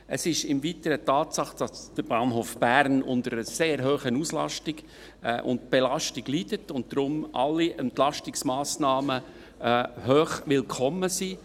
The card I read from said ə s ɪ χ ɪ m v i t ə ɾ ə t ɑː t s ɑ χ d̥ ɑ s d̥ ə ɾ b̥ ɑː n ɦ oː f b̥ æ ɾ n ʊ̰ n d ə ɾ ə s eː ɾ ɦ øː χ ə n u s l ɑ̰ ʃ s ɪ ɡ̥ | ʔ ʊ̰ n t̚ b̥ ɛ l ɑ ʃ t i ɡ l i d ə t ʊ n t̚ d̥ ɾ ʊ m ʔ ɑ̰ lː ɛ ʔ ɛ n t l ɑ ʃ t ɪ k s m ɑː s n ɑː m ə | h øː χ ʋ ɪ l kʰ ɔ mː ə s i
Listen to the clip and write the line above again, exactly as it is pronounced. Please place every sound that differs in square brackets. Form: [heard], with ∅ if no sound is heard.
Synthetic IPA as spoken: ə s ɪ [ʃ] ɪ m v i t ə ɾ ə t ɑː t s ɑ χ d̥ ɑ s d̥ ə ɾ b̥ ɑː n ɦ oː f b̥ æ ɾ n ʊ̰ n d ə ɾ ə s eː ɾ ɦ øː χ ə n u s l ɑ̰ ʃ [t] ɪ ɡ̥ | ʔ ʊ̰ n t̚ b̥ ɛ l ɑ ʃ t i ɡ l i d ə t ʊ n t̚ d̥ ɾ ʊ m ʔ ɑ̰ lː [i] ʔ ɛ n t l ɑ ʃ t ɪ k s m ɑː s n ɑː m ə | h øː χ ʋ ɪ l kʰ ɔ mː ə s i